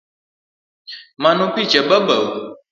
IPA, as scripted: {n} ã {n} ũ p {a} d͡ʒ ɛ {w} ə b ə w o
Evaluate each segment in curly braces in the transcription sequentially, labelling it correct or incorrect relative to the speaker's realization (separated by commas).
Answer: incorrect, correct, incorrect, incorrect